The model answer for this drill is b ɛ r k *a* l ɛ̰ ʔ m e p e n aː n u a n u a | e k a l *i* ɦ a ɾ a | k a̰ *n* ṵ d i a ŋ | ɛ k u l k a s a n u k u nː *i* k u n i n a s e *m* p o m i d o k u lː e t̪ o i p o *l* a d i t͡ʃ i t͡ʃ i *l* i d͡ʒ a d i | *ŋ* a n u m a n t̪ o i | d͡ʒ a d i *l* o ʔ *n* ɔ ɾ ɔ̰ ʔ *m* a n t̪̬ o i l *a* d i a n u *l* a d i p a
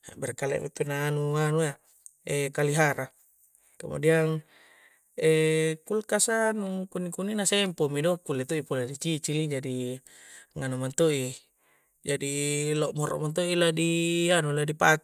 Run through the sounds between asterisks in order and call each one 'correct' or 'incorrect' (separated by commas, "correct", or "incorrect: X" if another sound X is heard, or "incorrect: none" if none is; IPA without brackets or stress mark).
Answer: correct, correct, incorrect: m, correct, correct, correct, correct, correct, correct, incorrect: m, correct, correct, correct